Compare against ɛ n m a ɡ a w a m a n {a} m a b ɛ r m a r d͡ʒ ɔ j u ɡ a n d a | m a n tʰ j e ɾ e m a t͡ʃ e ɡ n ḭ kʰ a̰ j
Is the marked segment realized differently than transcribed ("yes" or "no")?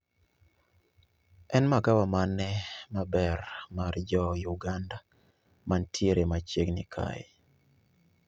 yes